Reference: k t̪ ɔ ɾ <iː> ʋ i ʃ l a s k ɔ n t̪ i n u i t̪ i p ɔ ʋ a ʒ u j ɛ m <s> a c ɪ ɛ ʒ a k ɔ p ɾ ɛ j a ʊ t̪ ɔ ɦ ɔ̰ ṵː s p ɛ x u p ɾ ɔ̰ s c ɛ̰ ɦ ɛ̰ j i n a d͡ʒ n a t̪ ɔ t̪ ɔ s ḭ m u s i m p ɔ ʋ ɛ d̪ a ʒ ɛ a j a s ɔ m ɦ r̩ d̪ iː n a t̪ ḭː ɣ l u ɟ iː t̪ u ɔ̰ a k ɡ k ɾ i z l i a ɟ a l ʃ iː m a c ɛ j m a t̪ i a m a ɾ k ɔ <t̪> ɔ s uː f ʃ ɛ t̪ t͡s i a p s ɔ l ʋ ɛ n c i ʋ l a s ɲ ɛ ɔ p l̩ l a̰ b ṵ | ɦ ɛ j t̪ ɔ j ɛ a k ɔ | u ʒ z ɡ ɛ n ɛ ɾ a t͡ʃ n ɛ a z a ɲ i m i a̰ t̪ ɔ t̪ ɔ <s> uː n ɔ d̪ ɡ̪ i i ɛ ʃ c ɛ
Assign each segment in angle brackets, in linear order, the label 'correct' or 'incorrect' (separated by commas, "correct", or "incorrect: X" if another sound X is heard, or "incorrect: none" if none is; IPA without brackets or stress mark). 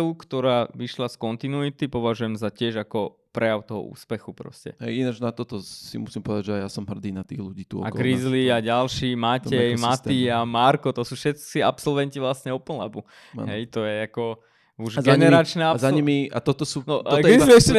incorrect: aː, incorrect: z, correct, correct